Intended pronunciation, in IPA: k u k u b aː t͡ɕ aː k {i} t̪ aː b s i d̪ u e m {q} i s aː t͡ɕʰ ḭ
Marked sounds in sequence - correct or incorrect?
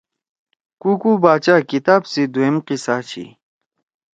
correct, correct

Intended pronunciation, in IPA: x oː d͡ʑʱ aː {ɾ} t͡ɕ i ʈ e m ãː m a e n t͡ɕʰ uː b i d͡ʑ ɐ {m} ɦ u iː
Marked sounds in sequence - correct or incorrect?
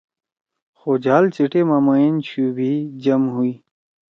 incorrect: l, correct

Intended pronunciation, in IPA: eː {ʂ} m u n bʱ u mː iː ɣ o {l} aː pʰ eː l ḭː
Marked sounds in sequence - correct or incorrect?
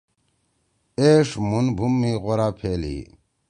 correct, incorrect: ɾ

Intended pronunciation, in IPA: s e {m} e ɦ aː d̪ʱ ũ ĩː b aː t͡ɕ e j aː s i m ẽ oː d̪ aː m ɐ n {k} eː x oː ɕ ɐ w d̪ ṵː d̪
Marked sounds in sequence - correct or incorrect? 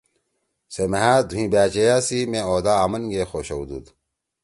correct, incorrect: ɡ

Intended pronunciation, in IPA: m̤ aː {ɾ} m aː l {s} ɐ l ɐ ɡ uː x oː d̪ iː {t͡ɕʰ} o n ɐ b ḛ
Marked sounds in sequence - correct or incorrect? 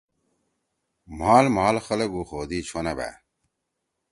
incorrect: l, incorrect: x, correct

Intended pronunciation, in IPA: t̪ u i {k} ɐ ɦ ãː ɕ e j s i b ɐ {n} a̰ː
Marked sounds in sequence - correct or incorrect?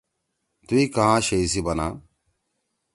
correct, correct

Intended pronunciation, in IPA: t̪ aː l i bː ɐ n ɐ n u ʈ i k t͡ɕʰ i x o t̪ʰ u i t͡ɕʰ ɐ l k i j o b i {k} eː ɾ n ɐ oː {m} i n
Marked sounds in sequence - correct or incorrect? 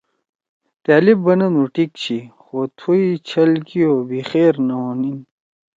incorrect: x, incorrect: n

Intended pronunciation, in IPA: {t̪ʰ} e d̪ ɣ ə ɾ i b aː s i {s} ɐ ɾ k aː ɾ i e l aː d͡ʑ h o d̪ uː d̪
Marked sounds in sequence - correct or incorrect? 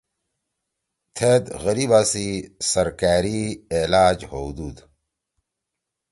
correct, correct

